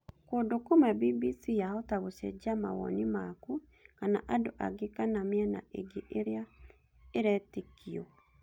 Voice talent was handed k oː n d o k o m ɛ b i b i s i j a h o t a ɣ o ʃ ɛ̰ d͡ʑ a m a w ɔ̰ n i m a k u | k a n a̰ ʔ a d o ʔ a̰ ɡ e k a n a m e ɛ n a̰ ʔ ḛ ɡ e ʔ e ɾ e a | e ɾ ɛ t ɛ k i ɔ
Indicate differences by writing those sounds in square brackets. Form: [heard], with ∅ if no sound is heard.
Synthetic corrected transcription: k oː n d o k o m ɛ b i b i s i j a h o t a ɣ o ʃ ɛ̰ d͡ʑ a m a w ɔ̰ n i m a k u | k a n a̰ ʔ a d o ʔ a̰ ɡ e k a n a m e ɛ n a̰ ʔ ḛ ɡ e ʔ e ɾ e a | e ɾ ɛ t [e] k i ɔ